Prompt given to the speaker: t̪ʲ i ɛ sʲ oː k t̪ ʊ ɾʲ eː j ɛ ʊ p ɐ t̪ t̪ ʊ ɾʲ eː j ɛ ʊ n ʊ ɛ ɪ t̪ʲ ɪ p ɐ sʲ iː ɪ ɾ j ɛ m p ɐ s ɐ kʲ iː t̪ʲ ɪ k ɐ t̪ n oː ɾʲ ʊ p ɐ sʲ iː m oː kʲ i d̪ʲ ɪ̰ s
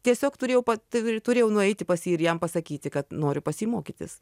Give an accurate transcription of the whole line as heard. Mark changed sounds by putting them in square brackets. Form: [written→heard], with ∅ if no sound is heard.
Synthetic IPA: t̪ʲ i ɛ sʲ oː k t̪ ʊ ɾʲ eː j ɛ ʊ p ɐ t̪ t̪ ʊ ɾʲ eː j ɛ ʊ n ʊ ɛ ɪ t̪ʲ ɪ p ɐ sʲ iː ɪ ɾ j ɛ m p ɐ s ɐ kʲ iː t̪ʲ ɪ k ɐ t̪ n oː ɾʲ ʊ p ɐ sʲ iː m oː kʲ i [d̪ʲ→t̪ʲ] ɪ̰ s